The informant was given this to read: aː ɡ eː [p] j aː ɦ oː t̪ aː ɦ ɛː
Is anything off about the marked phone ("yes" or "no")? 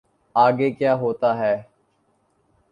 yes